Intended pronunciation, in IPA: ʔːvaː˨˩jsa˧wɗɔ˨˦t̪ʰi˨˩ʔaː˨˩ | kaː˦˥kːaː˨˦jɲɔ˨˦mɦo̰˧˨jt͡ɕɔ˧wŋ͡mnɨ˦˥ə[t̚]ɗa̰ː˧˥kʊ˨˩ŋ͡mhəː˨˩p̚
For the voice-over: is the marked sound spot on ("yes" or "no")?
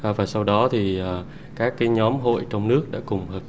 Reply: no